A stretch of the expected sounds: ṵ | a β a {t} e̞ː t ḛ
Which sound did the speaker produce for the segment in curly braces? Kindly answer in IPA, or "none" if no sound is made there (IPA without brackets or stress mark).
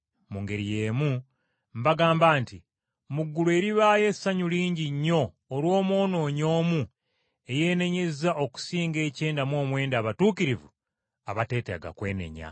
t